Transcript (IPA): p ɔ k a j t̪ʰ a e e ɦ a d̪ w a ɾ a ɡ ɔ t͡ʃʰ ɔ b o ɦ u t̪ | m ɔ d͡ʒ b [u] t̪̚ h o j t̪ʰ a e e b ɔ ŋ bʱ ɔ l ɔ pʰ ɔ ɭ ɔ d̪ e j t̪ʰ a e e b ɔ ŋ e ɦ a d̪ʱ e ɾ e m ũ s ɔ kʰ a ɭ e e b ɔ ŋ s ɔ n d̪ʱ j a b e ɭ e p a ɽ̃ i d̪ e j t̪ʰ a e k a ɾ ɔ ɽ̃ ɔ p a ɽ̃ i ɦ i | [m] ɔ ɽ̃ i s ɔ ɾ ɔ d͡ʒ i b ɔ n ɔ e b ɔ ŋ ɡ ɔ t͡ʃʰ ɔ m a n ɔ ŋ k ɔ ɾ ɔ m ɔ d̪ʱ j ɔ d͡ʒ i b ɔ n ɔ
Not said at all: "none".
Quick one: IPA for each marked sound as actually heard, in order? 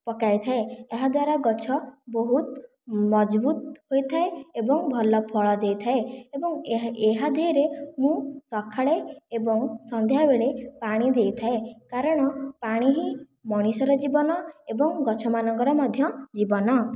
u, m

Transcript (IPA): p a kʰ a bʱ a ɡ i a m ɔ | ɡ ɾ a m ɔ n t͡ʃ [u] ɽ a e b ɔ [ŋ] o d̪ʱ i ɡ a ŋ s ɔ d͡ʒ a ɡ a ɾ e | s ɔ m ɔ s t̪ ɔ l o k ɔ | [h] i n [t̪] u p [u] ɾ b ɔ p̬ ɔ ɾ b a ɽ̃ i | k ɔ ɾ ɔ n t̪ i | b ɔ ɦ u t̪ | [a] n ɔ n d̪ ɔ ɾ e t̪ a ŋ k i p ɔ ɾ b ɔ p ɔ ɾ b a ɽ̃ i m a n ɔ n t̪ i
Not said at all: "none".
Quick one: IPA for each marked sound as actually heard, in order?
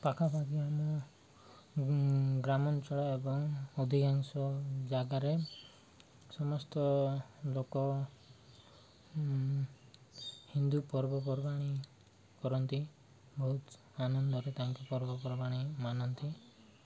ɔ, ŋ, h, d̪, ɔ, a

